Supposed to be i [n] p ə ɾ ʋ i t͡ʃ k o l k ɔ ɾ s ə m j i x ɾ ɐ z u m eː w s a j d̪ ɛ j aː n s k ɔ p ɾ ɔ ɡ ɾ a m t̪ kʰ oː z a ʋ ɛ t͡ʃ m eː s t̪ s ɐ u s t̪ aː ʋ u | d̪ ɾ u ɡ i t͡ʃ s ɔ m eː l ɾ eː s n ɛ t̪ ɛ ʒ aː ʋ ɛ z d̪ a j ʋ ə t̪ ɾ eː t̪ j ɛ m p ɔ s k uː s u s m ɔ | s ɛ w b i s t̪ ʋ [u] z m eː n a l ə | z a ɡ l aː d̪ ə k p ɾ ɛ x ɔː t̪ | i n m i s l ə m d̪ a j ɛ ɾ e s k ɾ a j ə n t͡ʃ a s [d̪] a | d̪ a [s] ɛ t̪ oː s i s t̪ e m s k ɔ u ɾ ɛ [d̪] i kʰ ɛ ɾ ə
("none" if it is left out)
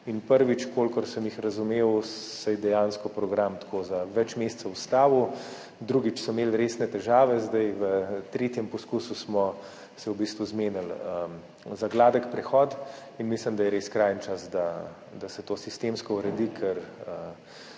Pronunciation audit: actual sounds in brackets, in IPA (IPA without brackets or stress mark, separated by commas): n, u, d̪, s, d̪